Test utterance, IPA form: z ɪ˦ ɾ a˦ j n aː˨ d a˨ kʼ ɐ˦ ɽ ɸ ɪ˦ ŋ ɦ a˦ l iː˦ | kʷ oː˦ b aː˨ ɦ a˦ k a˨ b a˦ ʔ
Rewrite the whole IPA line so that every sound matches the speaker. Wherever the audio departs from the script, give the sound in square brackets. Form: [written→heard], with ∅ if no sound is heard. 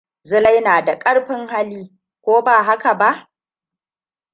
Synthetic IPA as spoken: z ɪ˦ [ɾ→l] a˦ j n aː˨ d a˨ kʼ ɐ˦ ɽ ɸ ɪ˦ ŋ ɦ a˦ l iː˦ | kʷ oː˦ b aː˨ ɦ a˦ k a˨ b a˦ ʔ